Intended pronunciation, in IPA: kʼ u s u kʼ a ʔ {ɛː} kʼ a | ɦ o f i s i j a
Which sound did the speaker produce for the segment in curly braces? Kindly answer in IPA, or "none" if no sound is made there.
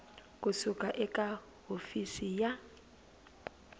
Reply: ɛ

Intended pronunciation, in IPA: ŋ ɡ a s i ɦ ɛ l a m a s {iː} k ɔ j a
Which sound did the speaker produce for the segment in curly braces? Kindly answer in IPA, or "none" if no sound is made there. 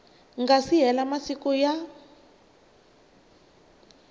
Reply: i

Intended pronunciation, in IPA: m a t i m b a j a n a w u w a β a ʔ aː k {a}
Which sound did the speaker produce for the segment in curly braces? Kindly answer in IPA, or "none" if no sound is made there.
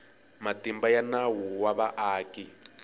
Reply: i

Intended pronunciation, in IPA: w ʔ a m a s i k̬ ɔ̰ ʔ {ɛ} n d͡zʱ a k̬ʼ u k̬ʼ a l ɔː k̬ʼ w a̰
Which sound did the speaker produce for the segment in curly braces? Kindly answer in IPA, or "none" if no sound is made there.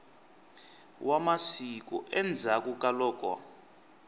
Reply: ɛ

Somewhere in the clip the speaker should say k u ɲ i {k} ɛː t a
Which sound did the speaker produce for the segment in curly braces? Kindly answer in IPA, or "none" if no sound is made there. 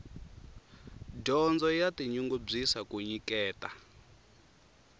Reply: k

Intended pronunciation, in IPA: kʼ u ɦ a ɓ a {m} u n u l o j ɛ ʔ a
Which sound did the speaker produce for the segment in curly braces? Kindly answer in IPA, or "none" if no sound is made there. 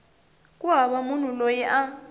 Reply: m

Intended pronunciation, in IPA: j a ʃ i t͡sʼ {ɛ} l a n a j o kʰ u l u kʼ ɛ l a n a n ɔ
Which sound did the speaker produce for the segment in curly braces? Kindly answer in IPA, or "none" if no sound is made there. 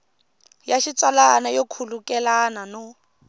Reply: a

